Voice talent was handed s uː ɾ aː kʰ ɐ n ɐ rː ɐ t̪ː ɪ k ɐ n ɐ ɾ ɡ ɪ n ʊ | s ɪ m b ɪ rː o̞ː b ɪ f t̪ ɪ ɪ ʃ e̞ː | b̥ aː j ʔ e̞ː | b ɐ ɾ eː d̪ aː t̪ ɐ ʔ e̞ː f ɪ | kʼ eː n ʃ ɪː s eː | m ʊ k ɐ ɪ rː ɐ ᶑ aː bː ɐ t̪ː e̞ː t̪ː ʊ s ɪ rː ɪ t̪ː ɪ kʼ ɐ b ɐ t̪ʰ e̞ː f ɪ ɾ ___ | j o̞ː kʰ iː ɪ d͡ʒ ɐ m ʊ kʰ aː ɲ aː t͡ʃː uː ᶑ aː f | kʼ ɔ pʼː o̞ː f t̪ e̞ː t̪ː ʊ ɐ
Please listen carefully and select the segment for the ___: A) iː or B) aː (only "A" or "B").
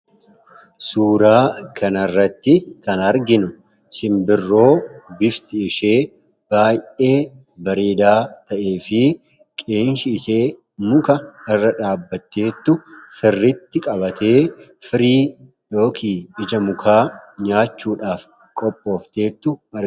A